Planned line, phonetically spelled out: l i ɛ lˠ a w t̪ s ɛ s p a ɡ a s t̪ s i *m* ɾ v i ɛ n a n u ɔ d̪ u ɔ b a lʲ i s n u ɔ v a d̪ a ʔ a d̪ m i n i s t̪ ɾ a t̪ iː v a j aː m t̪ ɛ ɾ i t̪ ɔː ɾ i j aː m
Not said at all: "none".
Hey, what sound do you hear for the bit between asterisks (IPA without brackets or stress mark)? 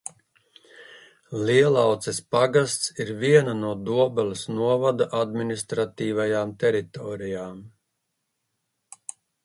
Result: none